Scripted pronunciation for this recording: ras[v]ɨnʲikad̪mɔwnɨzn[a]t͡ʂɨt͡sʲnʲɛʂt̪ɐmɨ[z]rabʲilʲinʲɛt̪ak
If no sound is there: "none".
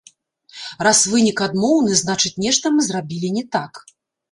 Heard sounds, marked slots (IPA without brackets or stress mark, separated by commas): v, a, z